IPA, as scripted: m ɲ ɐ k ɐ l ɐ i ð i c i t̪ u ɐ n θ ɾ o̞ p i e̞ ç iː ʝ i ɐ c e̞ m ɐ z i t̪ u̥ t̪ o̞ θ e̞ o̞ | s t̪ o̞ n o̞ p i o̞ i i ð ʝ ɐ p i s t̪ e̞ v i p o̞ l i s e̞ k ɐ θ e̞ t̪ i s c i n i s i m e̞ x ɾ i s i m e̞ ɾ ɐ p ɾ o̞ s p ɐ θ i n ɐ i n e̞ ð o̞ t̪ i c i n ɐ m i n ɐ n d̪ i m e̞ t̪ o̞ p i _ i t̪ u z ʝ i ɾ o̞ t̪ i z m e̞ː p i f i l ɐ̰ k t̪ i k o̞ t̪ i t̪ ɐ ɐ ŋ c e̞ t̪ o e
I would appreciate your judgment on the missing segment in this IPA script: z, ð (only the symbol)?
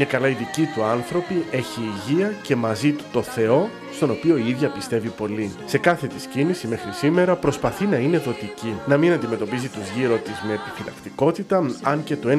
z